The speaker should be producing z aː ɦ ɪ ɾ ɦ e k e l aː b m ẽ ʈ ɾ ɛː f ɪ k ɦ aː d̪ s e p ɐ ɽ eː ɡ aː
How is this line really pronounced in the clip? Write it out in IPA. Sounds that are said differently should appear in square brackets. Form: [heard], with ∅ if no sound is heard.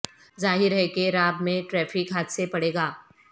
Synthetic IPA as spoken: z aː ɦ ɪ ɾ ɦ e k e [ɾ] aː b m ẽ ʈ ɾ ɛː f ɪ k ɦ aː [t̪] s e p ɐ ɽ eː ɡ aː